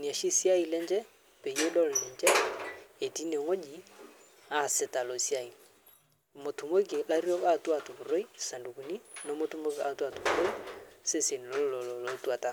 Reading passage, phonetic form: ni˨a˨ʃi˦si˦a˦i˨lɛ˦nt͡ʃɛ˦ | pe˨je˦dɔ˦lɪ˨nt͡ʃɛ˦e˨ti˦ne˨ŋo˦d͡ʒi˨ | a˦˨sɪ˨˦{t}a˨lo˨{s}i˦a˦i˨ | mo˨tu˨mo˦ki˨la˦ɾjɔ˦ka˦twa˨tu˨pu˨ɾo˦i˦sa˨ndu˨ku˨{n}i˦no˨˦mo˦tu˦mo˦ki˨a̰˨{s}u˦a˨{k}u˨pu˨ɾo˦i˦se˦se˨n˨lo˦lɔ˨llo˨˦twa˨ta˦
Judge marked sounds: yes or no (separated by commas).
yes, yes, yes, no, no